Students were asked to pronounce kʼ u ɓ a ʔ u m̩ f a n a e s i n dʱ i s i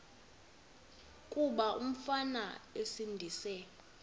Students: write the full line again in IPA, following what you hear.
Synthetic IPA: kʼ u ɓ a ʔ u m̩ f a n a e s i n dʱ i s ɛ